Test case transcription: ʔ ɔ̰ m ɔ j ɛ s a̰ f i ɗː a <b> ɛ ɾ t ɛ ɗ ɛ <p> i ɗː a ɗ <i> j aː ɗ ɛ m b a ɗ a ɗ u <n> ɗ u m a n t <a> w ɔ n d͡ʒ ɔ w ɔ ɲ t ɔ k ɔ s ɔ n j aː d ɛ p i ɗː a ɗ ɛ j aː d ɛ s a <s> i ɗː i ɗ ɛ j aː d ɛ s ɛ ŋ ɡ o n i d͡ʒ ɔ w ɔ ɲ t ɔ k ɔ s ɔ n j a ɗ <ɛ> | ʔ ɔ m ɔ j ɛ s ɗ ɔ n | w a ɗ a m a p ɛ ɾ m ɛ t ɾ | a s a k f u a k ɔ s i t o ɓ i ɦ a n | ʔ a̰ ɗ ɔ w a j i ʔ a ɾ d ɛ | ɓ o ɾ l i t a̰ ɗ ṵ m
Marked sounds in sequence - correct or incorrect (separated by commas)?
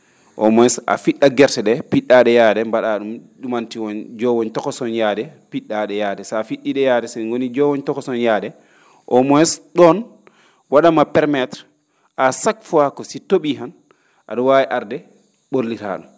incorrect, correct, incorrect, incorrect, incorrect, incorrect, correct